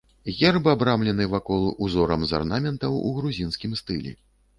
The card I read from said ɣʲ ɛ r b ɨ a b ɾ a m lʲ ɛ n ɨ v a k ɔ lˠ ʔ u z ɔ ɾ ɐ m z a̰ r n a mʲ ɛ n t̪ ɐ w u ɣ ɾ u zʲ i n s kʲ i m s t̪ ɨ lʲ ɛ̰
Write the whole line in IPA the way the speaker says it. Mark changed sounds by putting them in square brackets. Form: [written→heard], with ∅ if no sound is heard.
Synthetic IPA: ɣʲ ɛ r b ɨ a b ɾ a m lʲ ɛ n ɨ v a k ɔ lˠ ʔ u z ɔ ɾ ɐ m z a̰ r n a mʲ ɛ n t̪ ɐ w u ɣ ɾ u zʲ i n s kʲ i m s t̪ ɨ lʲ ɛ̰